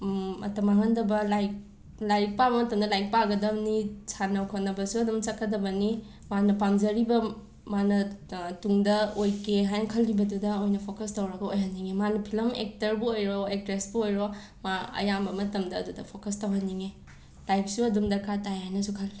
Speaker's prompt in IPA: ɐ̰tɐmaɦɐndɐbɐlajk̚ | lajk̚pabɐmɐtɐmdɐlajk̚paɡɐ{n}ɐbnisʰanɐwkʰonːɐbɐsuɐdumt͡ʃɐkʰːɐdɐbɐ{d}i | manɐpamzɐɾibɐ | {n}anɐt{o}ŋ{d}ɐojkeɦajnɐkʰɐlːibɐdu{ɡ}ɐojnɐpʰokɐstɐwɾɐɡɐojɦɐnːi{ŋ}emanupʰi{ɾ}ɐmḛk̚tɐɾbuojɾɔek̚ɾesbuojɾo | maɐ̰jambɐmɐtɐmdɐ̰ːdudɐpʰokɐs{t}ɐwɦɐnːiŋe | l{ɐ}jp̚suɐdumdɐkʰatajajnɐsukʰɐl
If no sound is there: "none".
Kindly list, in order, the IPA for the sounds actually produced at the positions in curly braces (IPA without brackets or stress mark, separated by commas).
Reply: d, n, m, u, d, d, ŋ, l, t, a